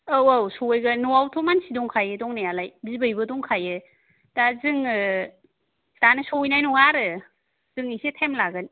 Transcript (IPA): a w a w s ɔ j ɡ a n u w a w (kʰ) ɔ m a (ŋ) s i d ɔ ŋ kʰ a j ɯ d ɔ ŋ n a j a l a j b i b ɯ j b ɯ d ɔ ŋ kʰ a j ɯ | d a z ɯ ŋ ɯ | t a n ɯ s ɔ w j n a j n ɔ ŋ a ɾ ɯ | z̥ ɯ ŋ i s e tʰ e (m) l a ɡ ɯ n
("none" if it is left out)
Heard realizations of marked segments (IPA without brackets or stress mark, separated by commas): tʰ, n, m